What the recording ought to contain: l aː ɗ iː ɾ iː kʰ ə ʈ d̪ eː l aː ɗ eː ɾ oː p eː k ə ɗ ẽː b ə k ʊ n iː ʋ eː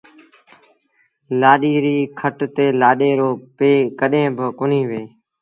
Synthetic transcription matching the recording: l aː ɗ iː ɾ iː kʰ ə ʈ t̪ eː l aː ɗ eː ɾ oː p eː k ə ɗ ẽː b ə k ʊ n iː ʋ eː